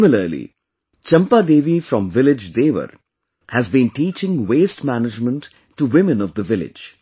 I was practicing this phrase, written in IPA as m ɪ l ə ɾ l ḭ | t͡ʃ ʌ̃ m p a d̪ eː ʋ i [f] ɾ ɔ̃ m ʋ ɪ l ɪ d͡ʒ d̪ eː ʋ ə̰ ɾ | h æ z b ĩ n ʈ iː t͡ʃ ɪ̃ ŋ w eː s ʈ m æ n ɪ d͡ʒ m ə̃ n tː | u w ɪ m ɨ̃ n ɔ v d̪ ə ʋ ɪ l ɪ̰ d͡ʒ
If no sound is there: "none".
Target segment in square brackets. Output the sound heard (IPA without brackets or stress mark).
f